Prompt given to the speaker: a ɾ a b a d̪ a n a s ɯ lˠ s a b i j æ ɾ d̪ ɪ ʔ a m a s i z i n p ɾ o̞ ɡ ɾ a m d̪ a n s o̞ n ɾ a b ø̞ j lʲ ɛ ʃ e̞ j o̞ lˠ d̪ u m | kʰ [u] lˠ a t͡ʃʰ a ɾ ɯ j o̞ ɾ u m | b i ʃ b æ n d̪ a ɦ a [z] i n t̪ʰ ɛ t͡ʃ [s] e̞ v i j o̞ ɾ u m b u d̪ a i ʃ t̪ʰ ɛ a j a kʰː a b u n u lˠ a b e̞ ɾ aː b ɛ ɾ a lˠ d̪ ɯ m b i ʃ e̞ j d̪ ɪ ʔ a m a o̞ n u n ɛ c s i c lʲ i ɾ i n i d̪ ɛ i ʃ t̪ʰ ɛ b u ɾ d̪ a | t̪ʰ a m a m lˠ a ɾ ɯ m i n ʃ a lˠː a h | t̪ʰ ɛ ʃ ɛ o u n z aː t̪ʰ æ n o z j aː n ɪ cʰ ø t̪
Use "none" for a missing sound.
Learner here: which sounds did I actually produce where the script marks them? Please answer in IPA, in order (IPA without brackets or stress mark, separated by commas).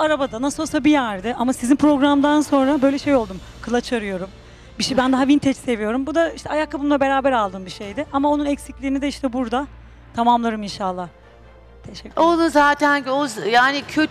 ɯ, v, s